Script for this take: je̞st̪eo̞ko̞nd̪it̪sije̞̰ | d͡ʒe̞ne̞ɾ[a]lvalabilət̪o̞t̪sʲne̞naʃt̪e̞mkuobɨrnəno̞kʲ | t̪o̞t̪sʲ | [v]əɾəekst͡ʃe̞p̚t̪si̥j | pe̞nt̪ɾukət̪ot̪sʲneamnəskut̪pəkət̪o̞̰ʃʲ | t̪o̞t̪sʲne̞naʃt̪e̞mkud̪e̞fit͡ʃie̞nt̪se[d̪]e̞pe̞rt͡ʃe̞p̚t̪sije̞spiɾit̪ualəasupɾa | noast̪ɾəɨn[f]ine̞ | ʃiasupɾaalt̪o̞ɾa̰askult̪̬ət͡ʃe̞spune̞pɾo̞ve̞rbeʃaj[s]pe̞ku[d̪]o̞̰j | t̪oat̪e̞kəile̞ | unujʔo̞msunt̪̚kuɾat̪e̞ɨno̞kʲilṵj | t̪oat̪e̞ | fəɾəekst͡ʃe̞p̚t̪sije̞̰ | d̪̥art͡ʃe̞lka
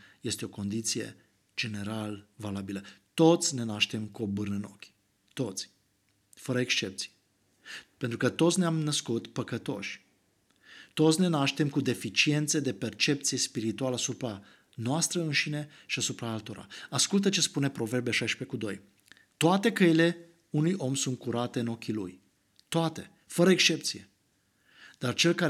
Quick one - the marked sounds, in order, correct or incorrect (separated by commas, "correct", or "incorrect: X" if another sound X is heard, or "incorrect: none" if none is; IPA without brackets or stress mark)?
correct, incorrect: f, correct, incorrect: ʃ, incorrect: ʃ, correct